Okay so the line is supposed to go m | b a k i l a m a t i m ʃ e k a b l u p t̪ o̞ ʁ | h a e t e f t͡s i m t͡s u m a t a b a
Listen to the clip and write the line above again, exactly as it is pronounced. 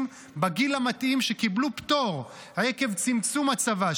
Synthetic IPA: m | b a ɡ i l a m a t i m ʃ e k i b l u p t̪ o̞ ʁ | h a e k e v t͡s i m t͡s u m a t͡s a v a